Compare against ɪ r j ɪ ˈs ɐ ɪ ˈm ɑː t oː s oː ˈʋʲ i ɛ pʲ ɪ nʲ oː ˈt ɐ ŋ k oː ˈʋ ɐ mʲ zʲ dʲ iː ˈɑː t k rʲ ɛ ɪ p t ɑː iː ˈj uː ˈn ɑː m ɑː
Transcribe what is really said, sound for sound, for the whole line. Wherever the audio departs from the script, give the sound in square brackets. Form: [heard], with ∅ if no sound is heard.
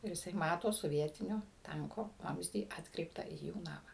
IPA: ɪ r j ɪ ˈs ɐ ɪ ˈm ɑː t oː s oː ˈʋʲ i ɛ [tʲ] ɪ nʲ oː ˈt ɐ ŋ k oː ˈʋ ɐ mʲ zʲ dʲ iː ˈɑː t k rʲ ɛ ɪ p t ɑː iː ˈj uː ˈn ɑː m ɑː